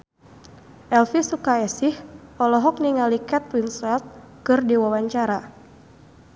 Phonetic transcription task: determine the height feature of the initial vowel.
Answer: mid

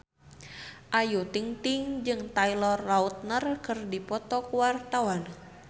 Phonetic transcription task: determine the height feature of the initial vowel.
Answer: low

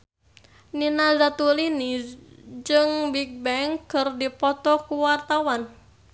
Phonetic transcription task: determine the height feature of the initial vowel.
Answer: high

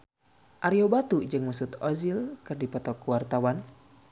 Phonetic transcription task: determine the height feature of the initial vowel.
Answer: low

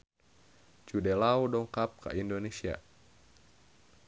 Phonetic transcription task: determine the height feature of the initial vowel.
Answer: high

